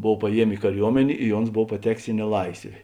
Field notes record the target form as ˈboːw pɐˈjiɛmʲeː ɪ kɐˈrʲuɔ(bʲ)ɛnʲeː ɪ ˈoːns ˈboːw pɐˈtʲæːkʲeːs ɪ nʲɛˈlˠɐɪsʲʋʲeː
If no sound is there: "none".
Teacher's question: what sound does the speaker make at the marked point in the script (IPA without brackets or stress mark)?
mʲ